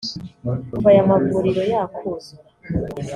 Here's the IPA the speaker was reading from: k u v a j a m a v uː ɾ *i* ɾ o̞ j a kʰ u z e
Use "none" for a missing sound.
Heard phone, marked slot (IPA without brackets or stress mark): i